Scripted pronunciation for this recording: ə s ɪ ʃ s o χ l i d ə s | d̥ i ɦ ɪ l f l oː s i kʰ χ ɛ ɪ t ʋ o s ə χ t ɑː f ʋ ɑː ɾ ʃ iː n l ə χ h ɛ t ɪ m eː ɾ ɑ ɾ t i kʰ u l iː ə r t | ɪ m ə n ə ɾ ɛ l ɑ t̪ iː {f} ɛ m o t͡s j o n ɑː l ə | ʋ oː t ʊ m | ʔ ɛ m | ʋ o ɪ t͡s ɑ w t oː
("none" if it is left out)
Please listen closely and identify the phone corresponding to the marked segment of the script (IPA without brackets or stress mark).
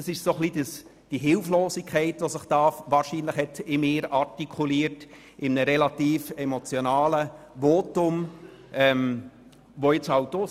f